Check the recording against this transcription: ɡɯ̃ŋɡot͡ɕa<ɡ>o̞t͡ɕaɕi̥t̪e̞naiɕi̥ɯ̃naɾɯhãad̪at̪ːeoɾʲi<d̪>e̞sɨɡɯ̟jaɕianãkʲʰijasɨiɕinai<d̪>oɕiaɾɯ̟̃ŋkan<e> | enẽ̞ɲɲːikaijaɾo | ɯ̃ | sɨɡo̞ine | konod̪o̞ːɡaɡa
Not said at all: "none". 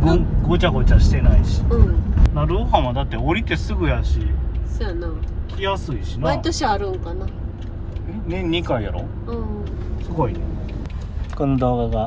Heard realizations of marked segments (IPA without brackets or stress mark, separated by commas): ɡ, t̪, t̪, a